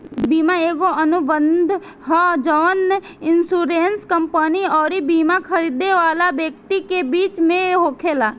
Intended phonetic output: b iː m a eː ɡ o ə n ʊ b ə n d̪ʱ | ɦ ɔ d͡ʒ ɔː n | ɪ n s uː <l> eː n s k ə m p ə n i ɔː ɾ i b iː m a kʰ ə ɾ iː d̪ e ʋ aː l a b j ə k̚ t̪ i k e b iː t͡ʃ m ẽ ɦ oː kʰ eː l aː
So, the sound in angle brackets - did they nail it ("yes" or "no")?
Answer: no